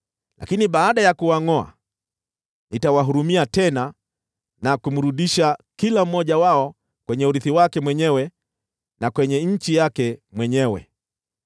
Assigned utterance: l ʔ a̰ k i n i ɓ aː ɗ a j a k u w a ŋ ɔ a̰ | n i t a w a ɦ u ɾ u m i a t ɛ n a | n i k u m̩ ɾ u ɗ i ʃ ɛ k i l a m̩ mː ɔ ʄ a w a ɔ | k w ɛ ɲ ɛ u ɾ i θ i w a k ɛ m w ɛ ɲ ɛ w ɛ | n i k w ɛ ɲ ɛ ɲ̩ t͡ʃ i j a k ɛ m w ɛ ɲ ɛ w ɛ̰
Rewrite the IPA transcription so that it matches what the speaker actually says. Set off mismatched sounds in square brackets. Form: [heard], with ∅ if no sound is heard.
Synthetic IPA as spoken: l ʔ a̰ k i n i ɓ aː ɗ a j a k u w a ŋ ɔ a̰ | n i t a w a ɦ u ɾ u m i a t ɛ n a | n [a] k u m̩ ɾ u ɗ i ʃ [a] k i l a m̩ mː ɔ ʄ a w a ɔ | k w ɛ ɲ ɛ u ɾ i θ i w a k ɛ m w ɛ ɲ ɛ w ɛ | n [a] k w ɛ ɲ ɛ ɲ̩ t͡ʃ i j a k ɛ m w ɛ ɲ ɛ w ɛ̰